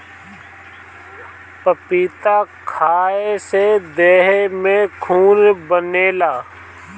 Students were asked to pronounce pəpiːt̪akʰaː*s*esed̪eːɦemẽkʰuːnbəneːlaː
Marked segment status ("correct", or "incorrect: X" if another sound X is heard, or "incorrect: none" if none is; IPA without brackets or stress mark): incorrect: none